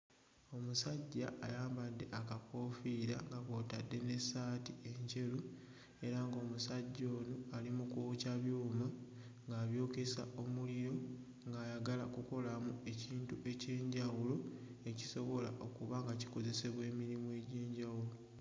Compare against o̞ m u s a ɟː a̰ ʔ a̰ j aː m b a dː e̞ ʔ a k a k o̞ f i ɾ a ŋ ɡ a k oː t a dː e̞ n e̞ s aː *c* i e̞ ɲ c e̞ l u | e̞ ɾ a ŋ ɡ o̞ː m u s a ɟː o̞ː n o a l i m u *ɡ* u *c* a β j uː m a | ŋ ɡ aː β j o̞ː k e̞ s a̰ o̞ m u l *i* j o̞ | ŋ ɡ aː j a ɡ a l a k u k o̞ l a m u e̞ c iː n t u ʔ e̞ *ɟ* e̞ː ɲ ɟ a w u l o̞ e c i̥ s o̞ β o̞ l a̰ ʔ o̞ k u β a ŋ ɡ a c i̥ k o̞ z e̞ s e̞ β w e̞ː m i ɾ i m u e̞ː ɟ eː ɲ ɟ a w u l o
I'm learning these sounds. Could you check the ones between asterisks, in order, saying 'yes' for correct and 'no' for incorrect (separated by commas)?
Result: no, no, yes, yes, no